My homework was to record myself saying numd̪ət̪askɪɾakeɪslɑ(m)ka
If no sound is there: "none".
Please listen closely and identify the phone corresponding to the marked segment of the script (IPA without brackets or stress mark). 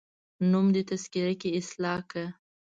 none